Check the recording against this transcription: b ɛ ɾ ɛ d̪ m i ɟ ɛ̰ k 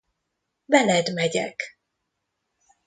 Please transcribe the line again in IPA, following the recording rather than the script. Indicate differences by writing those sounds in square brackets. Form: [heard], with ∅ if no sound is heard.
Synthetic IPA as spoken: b ɛ [l] ɛ d̪ m [ɛ] ɟ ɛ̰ k